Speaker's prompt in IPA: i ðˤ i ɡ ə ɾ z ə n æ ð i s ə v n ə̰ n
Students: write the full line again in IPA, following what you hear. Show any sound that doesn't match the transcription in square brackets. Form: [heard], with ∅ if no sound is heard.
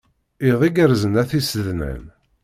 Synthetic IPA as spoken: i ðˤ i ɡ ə ɾ z ə n æ [θ] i s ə [ð] n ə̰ n